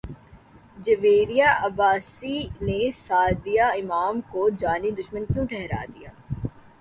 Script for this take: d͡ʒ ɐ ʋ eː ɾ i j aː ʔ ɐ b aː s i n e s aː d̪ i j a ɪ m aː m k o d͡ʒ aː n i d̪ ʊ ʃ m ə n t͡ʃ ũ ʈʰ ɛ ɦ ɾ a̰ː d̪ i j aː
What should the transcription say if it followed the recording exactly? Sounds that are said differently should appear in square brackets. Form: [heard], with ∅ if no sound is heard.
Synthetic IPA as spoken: d͡ʒ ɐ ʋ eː ɾ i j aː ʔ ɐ b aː s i n e s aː d̪ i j a ɪ m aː m k o d͡ʒ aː n i d̪ ʊ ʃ m ə n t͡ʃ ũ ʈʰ ɛ ɦ ɾ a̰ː d̪ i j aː